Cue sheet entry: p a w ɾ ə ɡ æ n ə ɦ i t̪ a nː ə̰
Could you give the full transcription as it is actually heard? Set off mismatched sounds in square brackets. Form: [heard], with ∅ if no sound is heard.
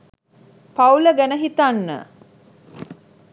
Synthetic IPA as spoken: p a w [l] ə ɡ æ n ə ɦ i t̪ a nː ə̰